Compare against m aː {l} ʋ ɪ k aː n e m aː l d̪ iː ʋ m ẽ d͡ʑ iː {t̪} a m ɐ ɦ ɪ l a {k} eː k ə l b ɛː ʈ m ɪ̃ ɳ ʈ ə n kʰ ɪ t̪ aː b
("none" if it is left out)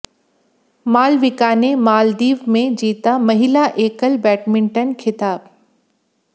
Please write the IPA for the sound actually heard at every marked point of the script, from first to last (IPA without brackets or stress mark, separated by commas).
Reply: l, t̪, ʔ